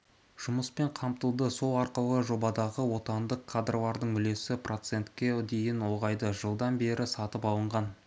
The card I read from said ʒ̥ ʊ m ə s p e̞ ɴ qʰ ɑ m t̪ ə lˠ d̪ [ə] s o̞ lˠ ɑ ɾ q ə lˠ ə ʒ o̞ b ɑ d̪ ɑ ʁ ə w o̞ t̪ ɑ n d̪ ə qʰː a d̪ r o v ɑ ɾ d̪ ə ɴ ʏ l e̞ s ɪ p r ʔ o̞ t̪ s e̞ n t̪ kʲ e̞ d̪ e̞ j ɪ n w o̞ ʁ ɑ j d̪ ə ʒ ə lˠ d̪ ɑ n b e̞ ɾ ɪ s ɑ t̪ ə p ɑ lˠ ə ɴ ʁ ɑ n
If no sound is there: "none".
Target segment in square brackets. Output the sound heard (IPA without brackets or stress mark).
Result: ə